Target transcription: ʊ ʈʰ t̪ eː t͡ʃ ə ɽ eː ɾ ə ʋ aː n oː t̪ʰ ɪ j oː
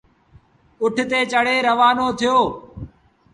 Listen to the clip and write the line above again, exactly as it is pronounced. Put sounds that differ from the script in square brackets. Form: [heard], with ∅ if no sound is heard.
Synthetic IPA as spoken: ʊ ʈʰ t̪ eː t͡ʃ ə ɽ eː ɾ ə ʋ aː n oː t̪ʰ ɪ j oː